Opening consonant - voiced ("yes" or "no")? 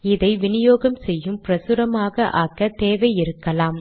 yes